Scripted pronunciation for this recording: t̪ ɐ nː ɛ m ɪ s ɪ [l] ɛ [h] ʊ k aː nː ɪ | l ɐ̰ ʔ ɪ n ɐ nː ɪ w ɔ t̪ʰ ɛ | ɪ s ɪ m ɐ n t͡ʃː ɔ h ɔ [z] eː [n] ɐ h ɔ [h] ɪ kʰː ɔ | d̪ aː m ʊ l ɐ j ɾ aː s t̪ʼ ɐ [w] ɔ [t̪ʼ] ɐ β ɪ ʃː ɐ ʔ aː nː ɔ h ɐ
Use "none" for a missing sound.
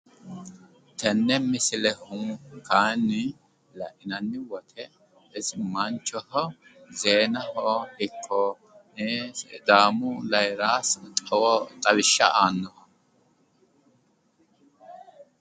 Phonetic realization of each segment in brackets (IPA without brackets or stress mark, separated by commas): l, h, z, n, h, w, t̪ʼ